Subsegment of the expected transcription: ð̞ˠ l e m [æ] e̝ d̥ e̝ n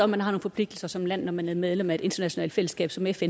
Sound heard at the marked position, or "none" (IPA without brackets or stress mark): æ